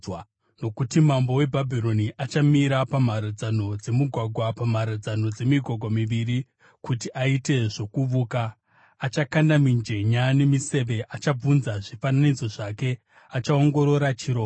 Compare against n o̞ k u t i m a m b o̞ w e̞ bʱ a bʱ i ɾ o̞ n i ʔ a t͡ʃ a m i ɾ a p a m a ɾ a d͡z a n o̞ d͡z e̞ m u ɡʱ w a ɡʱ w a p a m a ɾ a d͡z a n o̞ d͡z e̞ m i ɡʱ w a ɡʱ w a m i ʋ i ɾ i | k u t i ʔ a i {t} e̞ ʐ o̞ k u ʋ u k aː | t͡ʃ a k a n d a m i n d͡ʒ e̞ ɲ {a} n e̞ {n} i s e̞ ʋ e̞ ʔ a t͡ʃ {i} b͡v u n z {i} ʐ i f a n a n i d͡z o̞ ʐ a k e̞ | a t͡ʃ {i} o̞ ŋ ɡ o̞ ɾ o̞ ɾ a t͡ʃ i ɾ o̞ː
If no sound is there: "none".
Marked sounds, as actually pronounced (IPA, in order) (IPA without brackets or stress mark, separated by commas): t, a, m, a, a, a